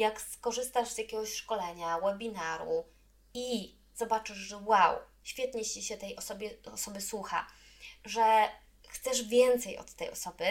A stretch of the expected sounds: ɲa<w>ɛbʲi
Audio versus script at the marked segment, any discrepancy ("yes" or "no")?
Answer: no